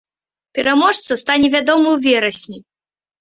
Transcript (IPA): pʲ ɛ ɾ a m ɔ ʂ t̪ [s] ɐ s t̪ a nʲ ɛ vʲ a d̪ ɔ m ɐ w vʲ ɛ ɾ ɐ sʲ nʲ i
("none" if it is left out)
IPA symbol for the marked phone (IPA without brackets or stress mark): s